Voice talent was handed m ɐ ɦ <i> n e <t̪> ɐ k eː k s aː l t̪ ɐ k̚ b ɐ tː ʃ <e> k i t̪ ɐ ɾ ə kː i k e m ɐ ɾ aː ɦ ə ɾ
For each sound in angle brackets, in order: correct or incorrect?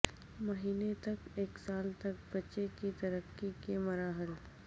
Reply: incorrect: iː, correct, correct

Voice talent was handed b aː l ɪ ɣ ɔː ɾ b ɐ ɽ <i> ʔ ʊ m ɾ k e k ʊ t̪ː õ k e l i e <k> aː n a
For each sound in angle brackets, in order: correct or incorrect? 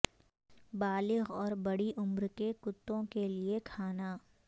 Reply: correct, incorrect: kʰ

